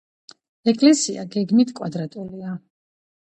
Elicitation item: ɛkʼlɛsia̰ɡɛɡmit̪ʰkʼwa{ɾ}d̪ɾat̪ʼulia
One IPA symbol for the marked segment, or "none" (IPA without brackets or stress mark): none